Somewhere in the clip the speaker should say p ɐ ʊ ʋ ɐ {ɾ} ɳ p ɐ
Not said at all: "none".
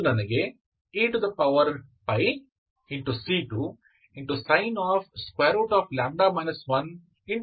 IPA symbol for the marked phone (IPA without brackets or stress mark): ɾ